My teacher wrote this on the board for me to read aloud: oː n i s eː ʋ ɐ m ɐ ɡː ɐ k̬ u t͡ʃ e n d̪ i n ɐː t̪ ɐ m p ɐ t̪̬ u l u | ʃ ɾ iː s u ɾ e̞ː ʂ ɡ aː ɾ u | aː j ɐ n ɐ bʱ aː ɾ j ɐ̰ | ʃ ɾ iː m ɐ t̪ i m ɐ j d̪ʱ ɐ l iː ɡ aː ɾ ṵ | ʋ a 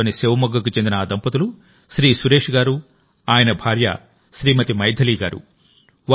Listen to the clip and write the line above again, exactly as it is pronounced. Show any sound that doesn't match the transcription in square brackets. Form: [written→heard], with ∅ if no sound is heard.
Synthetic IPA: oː n i s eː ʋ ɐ m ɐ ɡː ɐ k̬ u t͡ʃ e n d̪ i n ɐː [t̪→d̪] ɐ m p ɐ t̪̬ u l u | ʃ ɾ iː s u ɾ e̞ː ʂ ɡ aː ɾ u | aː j ɐ n ɐ bʱ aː ɾ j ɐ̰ | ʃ ɾ iː m ɐ t̪ i m ɐ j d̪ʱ ɐ l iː ɡ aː ɾ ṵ | ʋ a